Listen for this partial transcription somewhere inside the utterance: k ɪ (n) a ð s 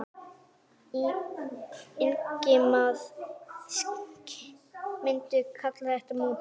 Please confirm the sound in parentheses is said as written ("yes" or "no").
no